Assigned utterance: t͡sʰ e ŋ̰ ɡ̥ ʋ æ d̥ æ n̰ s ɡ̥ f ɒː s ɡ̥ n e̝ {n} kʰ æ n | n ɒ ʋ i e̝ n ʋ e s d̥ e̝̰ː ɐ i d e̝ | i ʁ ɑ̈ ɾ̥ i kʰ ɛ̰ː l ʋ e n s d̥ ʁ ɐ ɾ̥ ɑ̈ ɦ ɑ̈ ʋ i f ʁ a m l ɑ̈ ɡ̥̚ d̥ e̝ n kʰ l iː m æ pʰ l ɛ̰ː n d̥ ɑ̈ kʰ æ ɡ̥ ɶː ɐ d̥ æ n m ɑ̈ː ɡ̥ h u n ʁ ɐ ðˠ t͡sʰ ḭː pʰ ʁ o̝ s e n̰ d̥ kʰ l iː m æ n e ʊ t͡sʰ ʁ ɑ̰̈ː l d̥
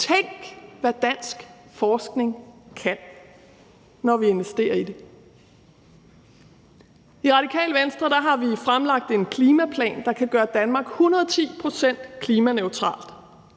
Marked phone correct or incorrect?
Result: incorrect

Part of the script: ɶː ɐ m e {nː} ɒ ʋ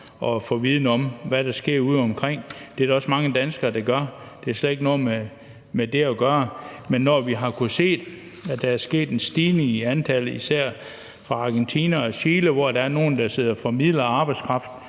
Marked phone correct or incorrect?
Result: correct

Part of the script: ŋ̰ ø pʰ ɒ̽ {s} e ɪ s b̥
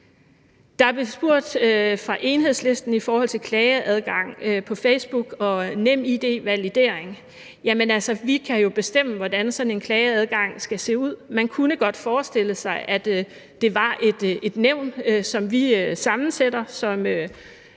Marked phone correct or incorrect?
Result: incorrect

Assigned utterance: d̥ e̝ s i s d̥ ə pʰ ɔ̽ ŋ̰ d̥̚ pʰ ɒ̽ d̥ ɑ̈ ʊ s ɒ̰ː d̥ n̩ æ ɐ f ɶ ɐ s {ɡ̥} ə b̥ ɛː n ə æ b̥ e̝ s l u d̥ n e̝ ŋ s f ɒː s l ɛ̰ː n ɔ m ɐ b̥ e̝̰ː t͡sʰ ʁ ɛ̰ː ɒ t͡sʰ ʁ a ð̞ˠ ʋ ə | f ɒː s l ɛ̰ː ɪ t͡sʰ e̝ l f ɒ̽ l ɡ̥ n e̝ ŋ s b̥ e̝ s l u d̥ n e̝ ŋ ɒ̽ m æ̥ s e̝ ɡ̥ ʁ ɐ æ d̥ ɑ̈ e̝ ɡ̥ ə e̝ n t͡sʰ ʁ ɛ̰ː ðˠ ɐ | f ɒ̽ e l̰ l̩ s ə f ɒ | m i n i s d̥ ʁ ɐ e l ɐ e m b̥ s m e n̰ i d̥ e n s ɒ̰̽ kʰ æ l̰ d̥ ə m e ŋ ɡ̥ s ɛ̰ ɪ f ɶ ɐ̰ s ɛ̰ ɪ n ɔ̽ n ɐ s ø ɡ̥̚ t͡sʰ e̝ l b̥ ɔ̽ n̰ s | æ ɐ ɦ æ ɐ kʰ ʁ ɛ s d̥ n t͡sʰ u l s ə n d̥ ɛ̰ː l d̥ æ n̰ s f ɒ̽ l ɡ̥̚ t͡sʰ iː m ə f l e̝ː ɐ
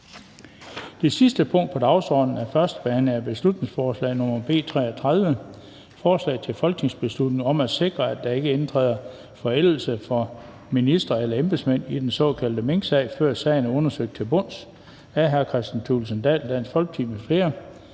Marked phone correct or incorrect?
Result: incorrect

